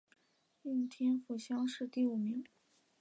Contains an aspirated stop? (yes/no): yes